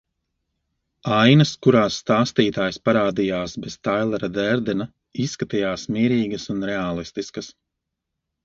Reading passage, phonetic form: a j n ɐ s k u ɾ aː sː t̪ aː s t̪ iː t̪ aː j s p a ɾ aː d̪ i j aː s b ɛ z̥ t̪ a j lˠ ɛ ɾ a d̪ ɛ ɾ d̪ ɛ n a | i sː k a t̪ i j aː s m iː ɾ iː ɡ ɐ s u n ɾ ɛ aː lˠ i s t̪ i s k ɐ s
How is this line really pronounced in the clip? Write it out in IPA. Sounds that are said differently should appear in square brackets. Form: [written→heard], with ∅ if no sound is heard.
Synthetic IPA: a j n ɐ s k u ɾ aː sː t̪ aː s t̪ iː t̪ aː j s p a ɾ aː d̪ i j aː s b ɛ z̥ t̪ a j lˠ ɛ ɾ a d̪ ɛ ɾ d̪ ɛ n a | i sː k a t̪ i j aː s m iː ɾ iː ɡ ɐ s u n ɾ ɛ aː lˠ i s t̪ i s k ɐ s

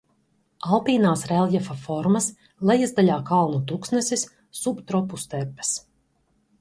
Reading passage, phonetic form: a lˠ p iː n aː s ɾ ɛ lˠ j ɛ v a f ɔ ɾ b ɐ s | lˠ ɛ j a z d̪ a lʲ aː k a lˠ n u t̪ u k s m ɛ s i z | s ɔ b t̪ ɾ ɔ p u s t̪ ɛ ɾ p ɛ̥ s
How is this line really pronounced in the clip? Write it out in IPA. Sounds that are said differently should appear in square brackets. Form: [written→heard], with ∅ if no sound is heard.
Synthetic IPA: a lˠ p iː n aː s ɾ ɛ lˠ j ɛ [v→f] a f ɔ ɾ [b→m] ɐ s | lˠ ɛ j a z d̪ a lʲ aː k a lˠ n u t̪ u k s [m→n] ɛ s i [z→s] | s [ɔ→u] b t̪ ɾ ɔ p u s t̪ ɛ ɾ p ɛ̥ s

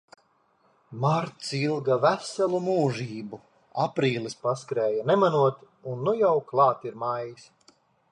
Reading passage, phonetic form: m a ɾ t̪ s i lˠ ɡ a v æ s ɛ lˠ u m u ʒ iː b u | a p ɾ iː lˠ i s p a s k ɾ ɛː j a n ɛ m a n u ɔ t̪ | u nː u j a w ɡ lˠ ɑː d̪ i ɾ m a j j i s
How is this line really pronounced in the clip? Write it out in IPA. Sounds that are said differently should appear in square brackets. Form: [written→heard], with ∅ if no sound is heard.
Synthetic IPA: m a ɾ t̪ s i lˠ ɡ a v æ s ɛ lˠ u m [u→uː] ʒ iː b u | a p ɾ iː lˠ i s p a s k ɾ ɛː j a n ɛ m a n u ɔ t̪ | u nː u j a w [ɡ→k] lˠ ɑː [d̪→t̪] i ɾ m a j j i s

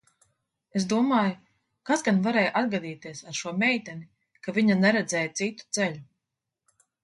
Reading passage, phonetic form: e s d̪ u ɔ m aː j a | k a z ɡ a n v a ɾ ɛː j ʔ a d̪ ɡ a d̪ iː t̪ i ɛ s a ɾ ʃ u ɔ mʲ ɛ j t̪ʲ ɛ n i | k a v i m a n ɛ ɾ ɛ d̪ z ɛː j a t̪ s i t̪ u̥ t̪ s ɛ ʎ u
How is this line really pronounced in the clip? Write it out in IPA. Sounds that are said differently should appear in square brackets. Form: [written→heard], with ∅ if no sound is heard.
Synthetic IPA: e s d̪ u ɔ m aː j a | k a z ɡ a n v a ɾ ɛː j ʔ a d̪ ɡ a d̪ iː t̪ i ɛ s a ɾ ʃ u ɔ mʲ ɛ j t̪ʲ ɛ n i | k a v i [m→ɲ] a n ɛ ɾ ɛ d̪ z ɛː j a t̪ s i t̪ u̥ t̪ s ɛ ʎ u

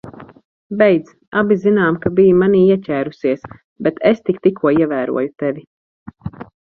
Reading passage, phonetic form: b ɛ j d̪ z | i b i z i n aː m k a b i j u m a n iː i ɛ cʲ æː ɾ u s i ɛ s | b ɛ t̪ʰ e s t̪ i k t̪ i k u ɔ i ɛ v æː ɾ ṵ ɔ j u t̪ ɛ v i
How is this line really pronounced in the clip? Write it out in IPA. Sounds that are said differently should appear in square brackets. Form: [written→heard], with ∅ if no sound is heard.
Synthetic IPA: b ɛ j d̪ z | [i→a] b i z i n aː m k a b i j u m a n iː i ɛ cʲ æː ɾ u s i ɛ s | b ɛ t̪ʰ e s t̪ i k t̪ i k u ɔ i ɛ v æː ɾ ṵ ɔ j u t̪ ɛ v i

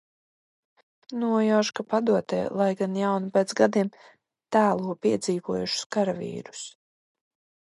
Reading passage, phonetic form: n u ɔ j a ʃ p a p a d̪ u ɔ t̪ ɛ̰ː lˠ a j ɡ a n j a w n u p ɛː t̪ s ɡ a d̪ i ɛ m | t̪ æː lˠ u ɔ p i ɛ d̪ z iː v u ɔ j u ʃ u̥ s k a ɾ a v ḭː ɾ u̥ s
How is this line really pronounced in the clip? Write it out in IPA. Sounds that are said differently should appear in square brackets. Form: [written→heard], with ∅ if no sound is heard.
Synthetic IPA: n u ɔ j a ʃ [p→k] a p a d̪ u ɔ t̪ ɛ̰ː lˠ a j ɡ a n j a w n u p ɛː t̪ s ɡ a d̪ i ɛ m | t̪ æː lˠ u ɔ p i ɛ d̪ z iː v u ɔ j u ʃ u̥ s k a ɾ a v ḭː ɾ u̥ s

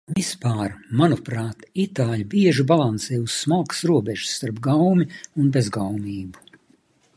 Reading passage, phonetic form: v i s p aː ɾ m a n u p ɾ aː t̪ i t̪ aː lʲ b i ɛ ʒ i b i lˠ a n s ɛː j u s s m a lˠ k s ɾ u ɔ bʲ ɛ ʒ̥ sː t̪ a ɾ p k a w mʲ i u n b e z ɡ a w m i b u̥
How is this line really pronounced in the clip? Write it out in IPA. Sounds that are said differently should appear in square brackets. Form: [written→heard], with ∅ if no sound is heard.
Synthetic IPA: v i s p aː ɾ m a n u p ɾ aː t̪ i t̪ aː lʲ b i ɛ ʒ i b [i→a] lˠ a n s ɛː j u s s m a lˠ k s ɾ u ɔ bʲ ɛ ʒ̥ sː t̪ a ɾ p [k→ɡ] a w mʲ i u n b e z ɡ a w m [i→iː] b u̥

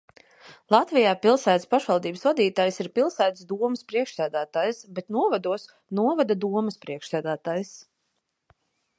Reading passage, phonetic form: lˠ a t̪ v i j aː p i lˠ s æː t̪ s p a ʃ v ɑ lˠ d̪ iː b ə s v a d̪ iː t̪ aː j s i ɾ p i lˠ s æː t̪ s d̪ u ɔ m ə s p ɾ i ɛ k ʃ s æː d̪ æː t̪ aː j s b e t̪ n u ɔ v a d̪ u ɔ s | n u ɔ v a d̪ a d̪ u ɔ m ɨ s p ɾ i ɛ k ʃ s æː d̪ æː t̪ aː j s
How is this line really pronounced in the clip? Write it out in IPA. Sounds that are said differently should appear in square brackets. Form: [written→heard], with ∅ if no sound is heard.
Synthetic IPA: lˠ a t̪ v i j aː p i lˠ s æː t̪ s p a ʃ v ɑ lˠ d̪ iː b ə s v a d̪ iː t̪ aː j s i ɾ p i lˠ s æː t̪ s d̪ u ɔ m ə s p ɾ i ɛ k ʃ s æː d̪ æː t̪ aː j s b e t̪ n u ɔ v a d̪ u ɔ s | n u ɔ v a d̪ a d̪ u ɔ m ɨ s p ɾ i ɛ k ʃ s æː d̪ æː t̪ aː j s

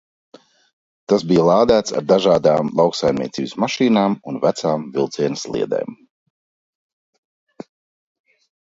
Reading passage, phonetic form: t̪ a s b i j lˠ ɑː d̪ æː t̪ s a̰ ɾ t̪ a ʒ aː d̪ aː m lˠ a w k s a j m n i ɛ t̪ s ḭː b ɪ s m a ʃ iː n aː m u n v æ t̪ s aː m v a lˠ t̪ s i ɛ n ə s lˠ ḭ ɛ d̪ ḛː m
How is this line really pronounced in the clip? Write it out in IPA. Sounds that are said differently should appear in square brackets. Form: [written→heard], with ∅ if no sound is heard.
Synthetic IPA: t̪ a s b i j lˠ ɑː d̪ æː t̪ s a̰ ɾ [t̪→d̪] a ʒ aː d̪ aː m lˠ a w k s a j m n i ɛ t̪ s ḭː b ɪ s m a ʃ iː n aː m u n v æ t̪ s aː m v [a→i] lˠ t̪ s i ɛ n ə s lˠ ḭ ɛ d̪ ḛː m

